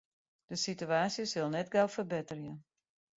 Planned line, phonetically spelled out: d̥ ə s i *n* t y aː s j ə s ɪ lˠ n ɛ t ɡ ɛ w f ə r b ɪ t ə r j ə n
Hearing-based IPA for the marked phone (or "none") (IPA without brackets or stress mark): none